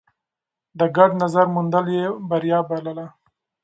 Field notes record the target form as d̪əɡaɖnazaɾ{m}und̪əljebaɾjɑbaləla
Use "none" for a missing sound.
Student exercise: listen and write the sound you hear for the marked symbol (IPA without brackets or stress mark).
m